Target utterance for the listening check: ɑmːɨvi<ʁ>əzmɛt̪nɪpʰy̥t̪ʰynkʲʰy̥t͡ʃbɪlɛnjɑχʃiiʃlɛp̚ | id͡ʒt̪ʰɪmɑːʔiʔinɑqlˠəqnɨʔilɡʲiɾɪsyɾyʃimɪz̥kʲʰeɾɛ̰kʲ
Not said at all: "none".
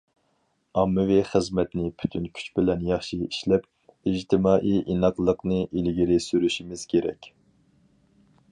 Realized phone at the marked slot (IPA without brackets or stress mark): χ